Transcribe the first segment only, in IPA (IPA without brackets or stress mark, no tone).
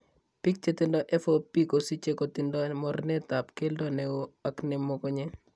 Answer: p